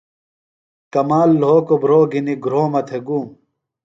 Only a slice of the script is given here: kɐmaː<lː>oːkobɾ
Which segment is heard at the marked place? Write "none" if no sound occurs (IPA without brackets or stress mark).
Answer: lː